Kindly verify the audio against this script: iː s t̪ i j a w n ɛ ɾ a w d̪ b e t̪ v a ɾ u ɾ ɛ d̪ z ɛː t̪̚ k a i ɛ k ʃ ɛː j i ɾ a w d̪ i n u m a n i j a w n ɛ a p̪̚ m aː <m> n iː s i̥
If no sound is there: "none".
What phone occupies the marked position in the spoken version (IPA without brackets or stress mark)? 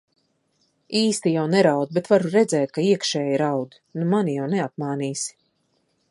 none